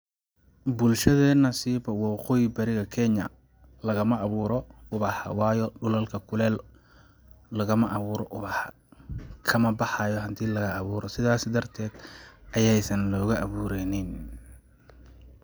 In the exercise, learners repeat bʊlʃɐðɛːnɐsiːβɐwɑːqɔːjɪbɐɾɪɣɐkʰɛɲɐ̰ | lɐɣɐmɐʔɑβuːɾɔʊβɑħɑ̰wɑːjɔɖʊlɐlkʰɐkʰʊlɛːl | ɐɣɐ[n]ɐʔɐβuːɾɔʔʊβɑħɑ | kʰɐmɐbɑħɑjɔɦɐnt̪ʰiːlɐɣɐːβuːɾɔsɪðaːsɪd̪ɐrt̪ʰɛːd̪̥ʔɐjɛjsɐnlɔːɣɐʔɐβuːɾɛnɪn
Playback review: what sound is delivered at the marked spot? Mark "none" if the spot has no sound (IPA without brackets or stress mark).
m